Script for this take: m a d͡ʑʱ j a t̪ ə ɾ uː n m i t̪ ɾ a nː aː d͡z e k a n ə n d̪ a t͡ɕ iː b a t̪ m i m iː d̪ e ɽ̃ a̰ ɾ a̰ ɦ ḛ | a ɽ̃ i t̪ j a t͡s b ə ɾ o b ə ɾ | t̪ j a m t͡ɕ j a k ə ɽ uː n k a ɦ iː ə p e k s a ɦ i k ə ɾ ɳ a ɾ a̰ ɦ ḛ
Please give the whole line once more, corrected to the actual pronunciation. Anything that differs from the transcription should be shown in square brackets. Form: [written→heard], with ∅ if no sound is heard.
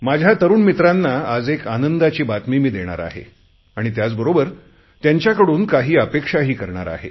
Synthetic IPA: m a d͡ʑʱ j a t̪ ə ɾ uː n m i t̪ ɾ a nː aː d͡z e k a n ə n d̪ a t͡ɕ iː b a t̪ m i m iː d̪ e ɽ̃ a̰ ɾ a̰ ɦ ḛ | a ɽ̃ i t̪ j a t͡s b ə ɾ o b ə ɾ | t̪ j a [m→ɲ] t͡ɕ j a k ə ɽ uː n k a ɦ iː ə p e k [s→ʂ] a ɦ [i→iː] k ə ɾ ɳ a ɾ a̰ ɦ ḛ